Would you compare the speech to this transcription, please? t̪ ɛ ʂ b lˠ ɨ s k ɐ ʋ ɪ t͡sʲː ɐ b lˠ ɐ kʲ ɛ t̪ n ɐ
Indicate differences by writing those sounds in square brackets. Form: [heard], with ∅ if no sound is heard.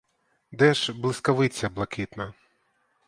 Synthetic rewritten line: [d̪] ɛ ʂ b lˠ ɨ s k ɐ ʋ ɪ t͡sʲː ɐ b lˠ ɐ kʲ [i] t̪ n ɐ

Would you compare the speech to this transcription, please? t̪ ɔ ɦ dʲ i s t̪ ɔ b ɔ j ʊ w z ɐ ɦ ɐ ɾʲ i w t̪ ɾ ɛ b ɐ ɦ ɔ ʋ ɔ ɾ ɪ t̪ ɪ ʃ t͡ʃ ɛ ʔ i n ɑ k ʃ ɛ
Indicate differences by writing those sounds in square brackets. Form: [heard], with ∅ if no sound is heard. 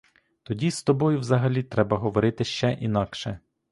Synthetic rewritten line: t̪ ɔ [∅] dʲ i s t̪ ɔ b ɔ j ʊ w z ɐ ɦ ɐ [lʲ] i [∅] t̪ ɾ ɛ b ɐ ɦ ɔ ʋ ɔ ɾ ɪ t̪ ɪ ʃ t͡ʃ ɛ ʔ i n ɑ k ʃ ɛ

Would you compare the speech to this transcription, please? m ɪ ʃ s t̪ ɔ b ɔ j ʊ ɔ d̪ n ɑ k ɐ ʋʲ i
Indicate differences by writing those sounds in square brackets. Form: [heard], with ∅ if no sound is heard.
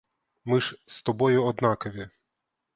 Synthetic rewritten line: m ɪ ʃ s t̪ ɔ b ɔ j ʊ ɔ d̪ n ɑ k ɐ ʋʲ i

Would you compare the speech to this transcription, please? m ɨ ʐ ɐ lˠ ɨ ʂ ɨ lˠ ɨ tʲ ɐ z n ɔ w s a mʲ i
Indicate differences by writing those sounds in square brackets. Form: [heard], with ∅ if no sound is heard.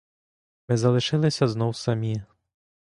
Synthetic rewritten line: m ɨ [z] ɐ lˠ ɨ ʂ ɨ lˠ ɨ [sʲ] ɐ z n ɔ w s a mʲ i

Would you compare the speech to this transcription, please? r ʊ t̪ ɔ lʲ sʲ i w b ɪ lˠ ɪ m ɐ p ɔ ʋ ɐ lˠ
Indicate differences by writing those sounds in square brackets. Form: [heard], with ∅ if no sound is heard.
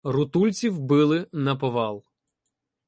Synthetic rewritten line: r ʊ t̪ [u] lʲ [t͡sʲ] i w b ɪ lˠ ɪ [n] ɐ p ɔ ʋ [ɑ] lˠ

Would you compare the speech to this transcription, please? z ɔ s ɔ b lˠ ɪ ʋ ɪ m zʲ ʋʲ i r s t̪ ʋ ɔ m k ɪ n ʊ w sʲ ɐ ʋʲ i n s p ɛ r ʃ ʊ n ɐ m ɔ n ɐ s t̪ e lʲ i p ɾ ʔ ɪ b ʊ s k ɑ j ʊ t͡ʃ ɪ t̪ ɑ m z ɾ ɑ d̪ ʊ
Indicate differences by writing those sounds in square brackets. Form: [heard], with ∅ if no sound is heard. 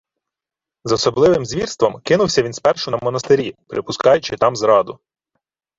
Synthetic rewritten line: z ɔ s ɔ b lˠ ɪ ʋ ɪ m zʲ ʋʲ i r s t̪ ʋ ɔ m k ɪ n ʊ w sʲ ɐ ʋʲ i n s p ɛ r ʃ ʊ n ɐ m ɔ n ɐ s t̪ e [ɾʲ] i p ɾ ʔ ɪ [p] ʊ s k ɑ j ʊ t͡ʃ ɪ t̪ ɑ m z ɾ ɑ d̪ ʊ

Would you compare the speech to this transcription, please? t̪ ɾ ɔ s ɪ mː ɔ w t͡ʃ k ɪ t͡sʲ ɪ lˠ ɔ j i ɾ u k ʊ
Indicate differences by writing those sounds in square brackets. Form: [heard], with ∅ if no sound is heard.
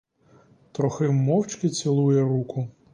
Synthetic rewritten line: t̪ ɾ ɔ [x] ɪ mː ɔ w t͡ʃ k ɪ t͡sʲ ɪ lˠ [u] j [ɛ] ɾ u k ʊ

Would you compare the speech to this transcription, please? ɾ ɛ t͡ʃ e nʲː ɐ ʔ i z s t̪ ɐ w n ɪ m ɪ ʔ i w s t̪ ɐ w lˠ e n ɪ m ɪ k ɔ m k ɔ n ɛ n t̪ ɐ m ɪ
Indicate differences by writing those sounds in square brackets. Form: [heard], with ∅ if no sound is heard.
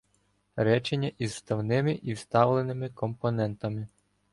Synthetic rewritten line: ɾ ɛ t͡ʃ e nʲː ɐ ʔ i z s t̪ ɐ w n ɪ m ɪ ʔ i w s t̪ [ɑ] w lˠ e n ɪ m ɪ k ɔ m [p] ɔ n ɛ n t̪ ɐ m ɪ

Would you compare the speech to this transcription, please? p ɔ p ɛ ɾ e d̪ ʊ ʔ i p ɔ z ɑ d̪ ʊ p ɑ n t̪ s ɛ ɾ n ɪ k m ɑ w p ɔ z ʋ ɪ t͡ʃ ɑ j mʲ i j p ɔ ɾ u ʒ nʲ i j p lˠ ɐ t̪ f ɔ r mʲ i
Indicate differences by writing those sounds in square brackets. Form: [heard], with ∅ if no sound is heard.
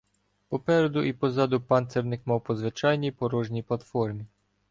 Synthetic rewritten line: p ɔ p ɛ ɾ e d̪ ʊ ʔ i p ɔ z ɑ d̪ ʊ p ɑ n t̪ s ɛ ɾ n ɪ k m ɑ w p ɔ z ʋ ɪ t͡ʃ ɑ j [nʲ] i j p ɔ ɾ [ɔ] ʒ nʲ i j p lˠ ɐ t̪ f ɔ r mʲ i

